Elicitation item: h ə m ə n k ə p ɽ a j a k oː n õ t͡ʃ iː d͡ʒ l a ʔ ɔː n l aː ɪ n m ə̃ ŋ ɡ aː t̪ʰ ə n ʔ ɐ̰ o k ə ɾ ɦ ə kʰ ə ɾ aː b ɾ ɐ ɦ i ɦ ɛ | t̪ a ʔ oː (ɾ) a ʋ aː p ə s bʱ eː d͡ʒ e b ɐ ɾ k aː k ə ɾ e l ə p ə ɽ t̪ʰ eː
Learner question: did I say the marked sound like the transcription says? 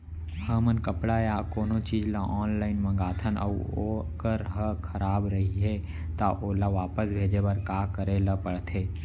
no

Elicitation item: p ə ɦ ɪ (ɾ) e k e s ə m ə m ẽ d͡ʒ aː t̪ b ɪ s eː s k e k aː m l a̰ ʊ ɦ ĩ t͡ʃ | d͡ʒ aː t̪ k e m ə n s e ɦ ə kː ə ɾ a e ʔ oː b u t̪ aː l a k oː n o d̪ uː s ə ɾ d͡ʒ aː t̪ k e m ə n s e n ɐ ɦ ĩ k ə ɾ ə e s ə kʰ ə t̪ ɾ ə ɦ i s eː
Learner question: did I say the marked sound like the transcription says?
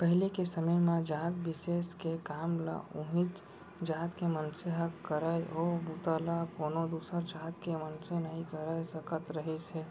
no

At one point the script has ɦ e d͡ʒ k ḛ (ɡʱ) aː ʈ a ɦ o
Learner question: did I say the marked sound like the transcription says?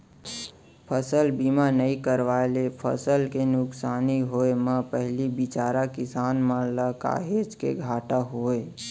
yes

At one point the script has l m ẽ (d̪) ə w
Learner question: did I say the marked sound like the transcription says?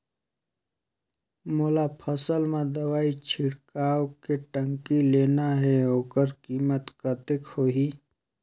yes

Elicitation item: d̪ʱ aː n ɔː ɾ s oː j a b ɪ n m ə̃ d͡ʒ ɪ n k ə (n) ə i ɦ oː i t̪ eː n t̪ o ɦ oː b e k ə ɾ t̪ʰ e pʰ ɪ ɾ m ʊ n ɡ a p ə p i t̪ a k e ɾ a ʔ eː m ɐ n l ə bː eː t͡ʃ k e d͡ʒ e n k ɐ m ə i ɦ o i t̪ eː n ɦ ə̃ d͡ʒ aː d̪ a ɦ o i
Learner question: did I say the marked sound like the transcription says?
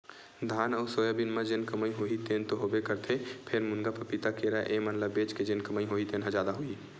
no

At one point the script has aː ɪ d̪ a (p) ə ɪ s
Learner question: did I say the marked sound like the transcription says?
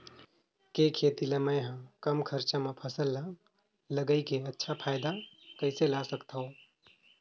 no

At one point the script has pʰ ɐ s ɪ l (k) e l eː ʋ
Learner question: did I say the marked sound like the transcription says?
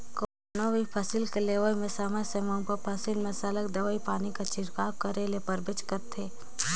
yes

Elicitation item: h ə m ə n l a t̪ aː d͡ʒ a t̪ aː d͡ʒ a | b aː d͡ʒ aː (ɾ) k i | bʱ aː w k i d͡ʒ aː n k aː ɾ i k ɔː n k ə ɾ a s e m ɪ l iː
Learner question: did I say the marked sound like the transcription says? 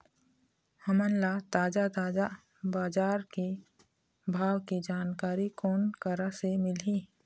yes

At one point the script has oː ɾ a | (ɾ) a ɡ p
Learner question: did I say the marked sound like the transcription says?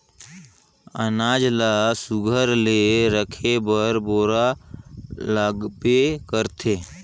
no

